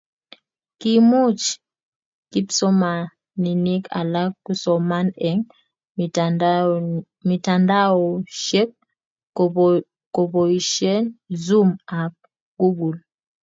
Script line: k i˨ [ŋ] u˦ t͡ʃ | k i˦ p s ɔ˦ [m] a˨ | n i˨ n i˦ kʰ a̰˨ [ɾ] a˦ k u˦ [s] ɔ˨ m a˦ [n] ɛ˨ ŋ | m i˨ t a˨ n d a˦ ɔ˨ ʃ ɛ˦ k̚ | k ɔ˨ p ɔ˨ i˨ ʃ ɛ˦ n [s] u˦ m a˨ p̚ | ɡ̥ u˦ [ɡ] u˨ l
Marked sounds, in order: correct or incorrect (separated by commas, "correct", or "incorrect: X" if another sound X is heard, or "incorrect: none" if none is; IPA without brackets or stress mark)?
incorrect: m, correct, incorrect: l, correct, correct, incorrect: z, correct